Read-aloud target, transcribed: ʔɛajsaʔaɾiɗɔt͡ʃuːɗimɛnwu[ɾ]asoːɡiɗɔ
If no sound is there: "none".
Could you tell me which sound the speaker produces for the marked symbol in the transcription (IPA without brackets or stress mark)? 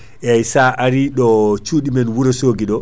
ɾ